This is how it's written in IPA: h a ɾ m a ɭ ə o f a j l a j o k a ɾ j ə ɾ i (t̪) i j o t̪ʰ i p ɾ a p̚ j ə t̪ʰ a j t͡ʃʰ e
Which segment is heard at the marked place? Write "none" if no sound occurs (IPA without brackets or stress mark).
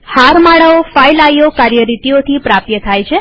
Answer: t̪